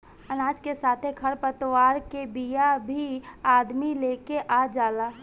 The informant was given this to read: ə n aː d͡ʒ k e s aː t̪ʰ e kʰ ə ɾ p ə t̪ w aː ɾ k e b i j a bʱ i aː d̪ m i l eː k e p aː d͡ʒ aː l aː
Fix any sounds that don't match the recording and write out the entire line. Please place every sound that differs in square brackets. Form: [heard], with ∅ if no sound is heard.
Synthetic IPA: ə n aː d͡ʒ k e s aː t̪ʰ e kʰ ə ɾ p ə t̪ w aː ɾ k e b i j a bʱ i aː d̪ m i l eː k e [ʔ] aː d͡ʒ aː l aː